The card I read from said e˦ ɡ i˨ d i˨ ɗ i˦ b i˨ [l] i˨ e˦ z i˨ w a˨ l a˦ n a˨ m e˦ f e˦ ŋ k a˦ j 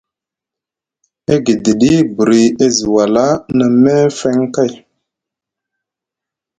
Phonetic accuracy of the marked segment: incorrect: ɾ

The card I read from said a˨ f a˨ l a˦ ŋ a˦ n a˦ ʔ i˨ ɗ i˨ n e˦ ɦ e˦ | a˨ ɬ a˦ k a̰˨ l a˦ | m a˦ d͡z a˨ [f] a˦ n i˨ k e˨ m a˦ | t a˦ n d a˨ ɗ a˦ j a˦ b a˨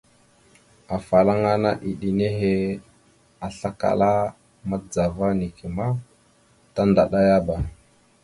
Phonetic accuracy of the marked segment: incorrect: v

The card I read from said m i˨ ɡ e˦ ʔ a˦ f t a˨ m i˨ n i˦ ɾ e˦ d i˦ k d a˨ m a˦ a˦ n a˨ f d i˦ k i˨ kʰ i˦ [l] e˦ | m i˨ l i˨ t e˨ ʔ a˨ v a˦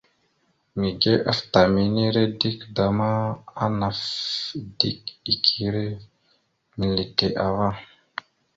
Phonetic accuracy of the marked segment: incorrect: ɾ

